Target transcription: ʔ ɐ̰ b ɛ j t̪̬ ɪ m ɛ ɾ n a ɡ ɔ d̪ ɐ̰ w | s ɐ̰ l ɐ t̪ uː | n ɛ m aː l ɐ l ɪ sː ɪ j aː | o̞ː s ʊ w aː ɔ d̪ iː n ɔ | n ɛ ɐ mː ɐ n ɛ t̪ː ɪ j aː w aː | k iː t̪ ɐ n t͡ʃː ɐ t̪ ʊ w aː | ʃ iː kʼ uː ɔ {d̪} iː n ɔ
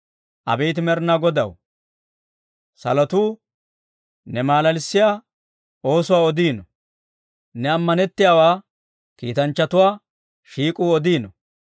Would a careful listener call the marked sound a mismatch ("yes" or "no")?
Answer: no